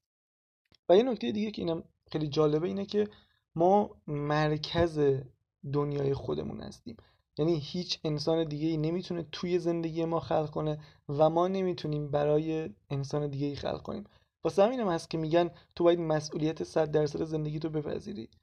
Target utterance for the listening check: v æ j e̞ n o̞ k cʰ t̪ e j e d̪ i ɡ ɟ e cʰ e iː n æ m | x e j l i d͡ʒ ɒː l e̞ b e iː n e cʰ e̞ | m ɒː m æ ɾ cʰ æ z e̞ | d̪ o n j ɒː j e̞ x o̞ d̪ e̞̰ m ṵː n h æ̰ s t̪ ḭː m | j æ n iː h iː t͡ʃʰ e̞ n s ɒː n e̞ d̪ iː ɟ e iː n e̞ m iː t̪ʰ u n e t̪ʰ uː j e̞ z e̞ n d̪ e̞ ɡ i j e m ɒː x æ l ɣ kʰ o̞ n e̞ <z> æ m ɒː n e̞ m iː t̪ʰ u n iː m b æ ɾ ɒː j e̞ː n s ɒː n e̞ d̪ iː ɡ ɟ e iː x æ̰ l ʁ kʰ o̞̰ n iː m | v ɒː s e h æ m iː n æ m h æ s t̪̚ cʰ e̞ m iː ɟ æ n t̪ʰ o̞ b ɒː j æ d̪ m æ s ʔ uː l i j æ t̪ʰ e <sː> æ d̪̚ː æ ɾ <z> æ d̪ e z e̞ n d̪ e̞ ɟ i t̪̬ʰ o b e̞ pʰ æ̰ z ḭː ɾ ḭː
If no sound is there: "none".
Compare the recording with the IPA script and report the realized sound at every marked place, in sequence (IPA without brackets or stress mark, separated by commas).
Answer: v, s, s